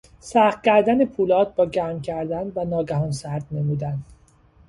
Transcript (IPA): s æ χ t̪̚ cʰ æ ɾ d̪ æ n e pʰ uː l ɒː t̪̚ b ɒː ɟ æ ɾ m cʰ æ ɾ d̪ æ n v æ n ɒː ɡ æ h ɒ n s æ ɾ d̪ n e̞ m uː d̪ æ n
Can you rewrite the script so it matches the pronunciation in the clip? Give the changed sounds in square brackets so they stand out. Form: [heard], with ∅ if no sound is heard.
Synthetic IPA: s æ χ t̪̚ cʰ æ ɾ d̪ æ n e pʰ uː l ɒː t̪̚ b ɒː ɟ æ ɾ m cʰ æ ɾ d̪ æ n v æ n ɒː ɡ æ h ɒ n s æ ɾ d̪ n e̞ m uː d̪ æ n